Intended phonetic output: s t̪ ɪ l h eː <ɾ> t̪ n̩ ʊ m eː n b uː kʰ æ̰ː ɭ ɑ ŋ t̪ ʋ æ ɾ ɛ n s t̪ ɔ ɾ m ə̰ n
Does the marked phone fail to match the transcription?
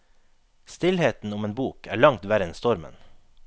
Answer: yes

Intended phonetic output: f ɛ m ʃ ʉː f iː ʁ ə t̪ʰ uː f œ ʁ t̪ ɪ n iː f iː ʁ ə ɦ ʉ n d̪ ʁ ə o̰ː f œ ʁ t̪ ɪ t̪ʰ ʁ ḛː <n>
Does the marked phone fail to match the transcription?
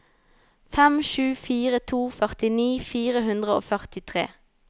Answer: yes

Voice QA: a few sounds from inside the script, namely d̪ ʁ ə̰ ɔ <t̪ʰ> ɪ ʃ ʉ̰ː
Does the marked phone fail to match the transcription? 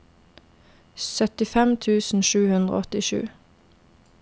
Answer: yes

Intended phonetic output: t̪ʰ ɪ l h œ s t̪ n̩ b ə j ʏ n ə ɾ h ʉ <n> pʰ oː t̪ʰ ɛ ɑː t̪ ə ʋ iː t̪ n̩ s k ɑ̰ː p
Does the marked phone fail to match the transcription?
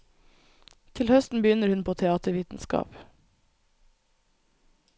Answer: no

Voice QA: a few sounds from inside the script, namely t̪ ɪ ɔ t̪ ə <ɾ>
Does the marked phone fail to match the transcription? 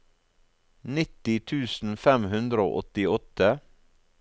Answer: yes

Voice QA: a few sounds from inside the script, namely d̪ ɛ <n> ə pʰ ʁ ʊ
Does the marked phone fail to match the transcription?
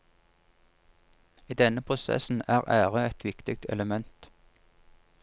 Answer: no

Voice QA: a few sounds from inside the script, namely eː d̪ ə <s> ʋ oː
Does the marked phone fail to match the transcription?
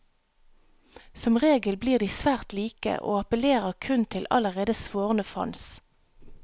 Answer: no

